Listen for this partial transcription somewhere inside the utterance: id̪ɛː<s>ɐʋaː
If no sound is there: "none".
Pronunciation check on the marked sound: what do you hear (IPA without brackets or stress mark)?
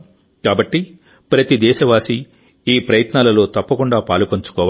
ʃ